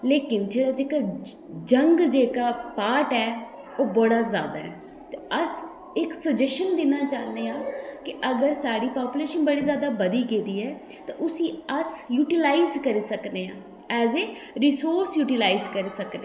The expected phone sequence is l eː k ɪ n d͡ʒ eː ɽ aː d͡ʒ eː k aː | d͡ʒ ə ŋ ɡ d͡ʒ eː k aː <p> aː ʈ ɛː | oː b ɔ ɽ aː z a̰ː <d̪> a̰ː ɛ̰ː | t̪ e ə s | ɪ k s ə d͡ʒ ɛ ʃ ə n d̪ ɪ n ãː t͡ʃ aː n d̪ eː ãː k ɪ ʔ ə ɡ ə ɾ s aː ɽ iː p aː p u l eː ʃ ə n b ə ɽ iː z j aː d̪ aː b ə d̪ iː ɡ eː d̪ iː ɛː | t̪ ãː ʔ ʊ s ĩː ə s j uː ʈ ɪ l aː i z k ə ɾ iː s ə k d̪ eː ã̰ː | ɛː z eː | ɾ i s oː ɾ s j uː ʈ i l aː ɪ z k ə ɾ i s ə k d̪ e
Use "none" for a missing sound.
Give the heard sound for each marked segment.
p, d̪

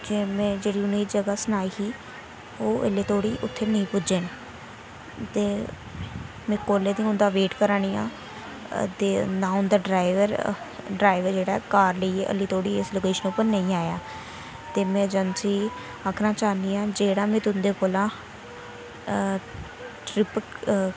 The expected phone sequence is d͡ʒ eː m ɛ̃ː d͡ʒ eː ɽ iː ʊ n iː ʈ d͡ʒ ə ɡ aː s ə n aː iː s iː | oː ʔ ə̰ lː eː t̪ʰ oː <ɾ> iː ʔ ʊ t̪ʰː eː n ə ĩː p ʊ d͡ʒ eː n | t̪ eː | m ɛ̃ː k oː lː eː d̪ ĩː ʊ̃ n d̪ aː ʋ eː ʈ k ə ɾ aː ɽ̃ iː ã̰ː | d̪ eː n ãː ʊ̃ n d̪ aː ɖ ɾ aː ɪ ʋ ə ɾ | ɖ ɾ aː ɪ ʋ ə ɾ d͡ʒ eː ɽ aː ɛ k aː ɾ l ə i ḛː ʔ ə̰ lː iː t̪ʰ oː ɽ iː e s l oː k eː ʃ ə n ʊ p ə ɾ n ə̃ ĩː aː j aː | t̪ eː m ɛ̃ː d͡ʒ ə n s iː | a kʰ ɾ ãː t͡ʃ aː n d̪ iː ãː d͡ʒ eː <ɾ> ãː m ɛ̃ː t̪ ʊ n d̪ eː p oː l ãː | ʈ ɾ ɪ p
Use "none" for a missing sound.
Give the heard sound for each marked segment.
ɽ, ɽ

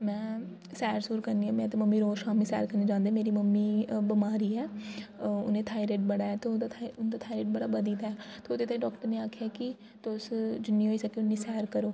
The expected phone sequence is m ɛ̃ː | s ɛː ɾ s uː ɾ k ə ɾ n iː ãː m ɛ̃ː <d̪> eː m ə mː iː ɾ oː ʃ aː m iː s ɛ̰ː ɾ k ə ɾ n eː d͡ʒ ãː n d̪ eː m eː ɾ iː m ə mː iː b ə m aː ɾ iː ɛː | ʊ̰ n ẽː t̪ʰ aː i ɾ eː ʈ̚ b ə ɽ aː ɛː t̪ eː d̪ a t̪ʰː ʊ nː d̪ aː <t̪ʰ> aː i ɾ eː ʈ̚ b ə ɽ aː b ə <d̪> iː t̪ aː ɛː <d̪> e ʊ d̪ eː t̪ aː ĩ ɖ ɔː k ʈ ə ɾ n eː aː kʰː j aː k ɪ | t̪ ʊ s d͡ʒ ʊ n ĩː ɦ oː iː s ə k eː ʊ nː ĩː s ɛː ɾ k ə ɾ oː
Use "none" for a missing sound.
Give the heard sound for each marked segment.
t̪, t̪ʰ, d̪, t̪

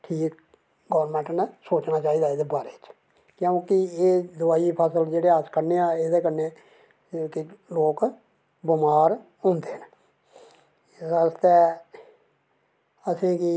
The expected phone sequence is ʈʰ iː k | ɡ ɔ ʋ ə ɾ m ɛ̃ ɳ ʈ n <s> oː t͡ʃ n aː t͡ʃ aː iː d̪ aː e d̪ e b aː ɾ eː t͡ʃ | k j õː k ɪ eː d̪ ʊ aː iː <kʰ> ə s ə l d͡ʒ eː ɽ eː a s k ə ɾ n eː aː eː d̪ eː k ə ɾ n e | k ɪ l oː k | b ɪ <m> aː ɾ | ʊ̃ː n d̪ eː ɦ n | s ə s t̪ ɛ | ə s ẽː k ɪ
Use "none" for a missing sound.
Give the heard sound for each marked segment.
s, pʰ, m

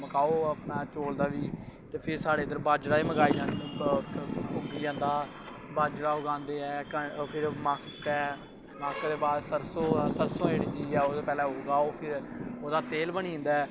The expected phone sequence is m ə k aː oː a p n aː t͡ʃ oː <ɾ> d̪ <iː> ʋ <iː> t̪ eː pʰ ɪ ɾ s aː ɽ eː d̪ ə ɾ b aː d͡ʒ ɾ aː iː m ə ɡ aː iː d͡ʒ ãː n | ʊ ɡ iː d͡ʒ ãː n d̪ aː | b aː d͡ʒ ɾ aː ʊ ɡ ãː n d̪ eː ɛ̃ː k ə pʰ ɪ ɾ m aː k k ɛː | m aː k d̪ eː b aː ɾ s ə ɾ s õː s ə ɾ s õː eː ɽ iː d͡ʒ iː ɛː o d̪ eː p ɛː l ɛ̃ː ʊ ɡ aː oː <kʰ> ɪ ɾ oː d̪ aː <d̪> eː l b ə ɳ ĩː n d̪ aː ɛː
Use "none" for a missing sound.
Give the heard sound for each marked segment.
l, aː, iː, pʰ, t̪

